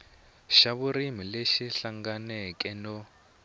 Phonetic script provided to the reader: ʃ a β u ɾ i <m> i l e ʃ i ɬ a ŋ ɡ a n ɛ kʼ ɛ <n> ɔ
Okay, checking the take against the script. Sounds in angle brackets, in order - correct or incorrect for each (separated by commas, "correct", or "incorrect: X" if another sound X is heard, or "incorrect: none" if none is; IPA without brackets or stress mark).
correct, correct